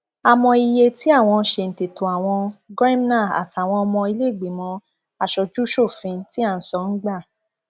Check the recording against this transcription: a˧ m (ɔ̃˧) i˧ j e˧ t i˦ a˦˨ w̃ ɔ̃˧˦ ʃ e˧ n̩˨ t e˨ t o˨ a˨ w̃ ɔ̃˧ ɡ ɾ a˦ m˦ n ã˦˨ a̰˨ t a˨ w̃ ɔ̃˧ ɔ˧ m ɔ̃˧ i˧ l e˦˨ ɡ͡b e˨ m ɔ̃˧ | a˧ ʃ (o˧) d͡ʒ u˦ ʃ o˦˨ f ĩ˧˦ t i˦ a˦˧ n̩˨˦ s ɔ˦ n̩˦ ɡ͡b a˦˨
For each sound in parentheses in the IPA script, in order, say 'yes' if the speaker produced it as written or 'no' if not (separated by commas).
yes, no